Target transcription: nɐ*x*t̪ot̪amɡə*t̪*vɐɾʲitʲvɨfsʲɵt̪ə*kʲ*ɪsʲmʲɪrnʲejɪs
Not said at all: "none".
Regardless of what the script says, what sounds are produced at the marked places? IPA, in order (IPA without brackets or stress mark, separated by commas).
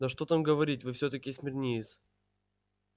ʂ, none, kʲ